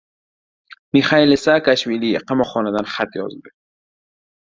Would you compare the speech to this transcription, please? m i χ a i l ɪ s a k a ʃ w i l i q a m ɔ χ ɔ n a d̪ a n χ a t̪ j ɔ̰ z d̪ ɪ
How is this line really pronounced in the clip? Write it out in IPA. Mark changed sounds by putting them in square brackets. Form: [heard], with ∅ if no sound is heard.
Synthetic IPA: m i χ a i l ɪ s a k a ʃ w i l i q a m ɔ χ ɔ n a d̪ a n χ a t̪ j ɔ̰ z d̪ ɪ